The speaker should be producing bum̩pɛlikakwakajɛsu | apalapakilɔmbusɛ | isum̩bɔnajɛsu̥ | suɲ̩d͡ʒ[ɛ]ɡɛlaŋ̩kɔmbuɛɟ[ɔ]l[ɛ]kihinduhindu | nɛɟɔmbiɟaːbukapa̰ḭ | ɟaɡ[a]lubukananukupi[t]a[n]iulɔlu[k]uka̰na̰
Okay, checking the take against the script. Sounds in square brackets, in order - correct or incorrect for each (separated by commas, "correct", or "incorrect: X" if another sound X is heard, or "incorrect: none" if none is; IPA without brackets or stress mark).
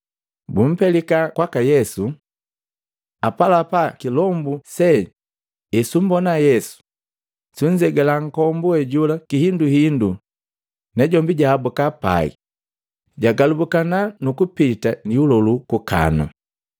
correct, incorrect: u, incorrect: a, correct, correct, correct, correct